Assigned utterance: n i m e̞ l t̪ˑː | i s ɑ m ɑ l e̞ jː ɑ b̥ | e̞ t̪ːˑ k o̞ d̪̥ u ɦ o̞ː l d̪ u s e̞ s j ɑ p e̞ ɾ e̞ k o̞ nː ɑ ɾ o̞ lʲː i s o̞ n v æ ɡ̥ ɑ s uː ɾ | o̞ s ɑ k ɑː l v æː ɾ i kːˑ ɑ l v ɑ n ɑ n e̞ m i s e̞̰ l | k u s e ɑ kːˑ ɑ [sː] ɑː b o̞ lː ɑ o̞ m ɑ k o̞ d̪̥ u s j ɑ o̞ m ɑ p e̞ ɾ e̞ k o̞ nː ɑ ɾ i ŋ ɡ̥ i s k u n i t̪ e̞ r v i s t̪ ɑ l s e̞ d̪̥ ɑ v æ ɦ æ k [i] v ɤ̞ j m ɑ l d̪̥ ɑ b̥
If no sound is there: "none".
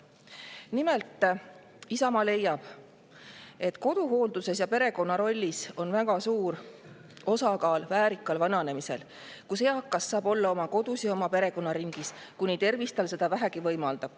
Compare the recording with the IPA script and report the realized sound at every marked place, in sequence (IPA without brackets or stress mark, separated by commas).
sː, i